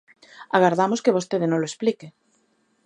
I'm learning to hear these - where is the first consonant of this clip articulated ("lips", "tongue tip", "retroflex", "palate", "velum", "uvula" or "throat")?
velum